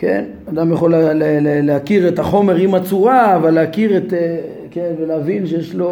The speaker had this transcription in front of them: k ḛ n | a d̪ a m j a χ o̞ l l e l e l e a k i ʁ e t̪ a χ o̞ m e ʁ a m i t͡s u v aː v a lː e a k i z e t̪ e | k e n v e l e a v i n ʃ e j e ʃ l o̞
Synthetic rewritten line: k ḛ n | a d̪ a m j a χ o̞ l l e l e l e a k i ʁ e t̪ a χ o̞ m e ʁ i m a t͡s u ʁ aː v a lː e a k i ʁ e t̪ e | k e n v e l e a v i n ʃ e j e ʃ l o̞